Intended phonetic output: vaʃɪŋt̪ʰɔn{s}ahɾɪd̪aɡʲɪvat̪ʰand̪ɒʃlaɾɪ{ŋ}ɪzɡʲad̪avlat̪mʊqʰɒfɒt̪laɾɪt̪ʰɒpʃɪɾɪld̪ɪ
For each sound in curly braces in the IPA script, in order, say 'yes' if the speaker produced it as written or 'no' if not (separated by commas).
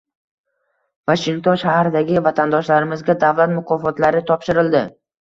no, no